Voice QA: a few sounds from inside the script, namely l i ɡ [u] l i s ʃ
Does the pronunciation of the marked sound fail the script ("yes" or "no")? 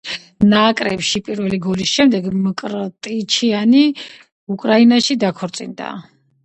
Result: yes